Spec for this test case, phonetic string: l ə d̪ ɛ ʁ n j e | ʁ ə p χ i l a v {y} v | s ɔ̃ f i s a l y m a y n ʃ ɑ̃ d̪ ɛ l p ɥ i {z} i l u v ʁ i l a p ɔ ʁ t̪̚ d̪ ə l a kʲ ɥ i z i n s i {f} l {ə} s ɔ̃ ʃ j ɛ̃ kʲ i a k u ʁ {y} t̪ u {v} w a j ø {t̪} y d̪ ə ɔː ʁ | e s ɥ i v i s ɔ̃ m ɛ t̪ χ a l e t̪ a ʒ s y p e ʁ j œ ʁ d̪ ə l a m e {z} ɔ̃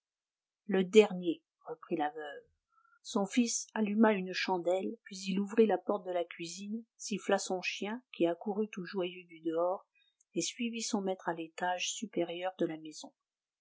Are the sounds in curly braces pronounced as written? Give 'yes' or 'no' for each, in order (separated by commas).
no, yes, yes, no, yes, no, no, yes